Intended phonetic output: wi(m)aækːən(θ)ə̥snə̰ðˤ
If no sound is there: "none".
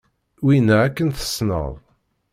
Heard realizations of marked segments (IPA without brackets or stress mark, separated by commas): n, θ